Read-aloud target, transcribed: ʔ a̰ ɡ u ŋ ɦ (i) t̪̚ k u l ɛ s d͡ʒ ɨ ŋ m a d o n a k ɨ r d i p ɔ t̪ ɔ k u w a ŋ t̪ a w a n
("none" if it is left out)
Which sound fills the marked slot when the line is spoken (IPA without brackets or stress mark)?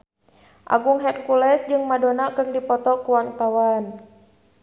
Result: ɛ